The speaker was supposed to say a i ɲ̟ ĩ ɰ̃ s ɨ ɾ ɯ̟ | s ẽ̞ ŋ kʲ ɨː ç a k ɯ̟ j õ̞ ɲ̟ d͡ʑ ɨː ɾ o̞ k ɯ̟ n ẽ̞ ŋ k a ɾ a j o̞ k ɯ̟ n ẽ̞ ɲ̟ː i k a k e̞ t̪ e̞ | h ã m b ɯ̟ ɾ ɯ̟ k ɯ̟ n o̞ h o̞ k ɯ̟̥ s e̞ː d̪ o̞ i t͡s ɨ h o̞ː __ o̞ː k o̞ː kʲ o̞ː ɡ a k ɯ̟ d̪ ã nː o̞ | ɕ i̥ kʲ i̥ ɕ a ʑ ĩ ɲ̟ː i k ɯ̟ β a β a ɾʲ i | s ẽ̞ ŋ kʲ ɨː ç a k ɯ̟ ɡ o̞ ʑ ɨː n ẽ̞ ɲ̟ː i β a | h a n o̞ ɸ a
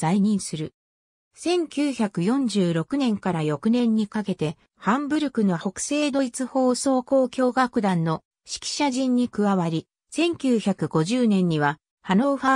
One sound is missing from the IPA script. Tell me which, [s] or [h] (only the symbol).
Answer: s